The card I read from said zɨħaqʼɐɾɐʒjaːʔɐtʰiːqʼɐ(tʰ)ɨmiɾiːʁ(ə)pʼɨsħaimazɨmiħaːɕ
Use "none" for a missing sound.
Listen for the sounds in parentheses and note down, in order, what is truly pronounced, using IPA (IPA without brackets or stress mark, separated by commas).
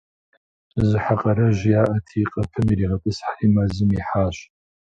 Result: pʰ, ɐ